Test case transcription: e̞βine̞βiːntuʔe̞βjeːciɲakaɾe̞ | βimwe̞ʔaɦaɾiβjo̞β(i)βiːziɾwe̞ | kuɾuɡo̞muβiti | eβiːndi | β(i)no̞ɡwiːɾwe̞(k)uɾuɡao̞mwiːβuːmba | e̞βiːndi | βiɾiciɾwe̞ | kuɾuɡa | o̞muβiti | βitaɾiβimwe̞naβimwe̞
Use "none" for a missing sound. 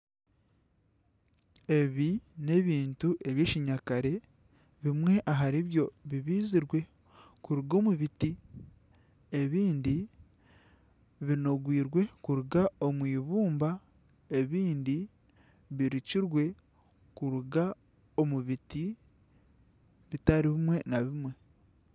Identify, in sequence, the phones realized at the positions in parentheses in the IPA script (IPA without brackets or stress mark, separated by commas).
i, i, k